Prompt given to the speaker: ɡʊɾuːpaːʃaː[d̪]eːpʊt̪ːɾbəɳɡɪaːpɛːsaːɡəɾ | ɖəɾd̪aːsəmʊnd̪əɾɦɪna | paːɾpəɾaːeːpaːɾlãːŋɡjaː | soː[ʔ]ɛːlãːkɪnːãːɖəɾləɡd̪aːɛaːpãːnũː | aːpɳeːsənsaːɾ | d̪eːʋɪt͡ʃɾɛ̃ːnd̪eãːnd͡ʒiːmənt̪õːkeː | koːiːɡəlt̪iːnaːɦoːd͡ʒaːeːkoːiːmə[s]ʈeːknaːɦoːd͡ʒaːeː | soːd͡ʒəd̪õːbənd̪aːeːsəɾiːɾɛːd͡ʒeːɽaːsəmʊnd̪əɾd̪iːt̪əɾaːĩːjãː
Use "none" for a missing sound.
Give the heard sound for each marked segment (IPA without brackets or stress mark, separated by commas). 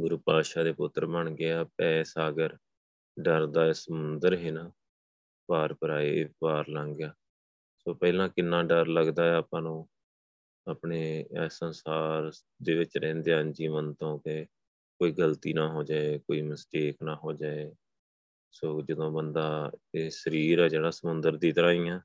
d̪, p, s